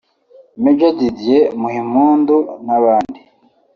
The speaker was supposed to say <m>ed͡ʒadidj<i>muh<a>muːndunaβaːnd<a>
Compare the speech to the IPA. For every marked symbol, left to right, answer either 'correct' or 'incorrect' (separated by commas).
correct, incorrect, incorrect, incorrect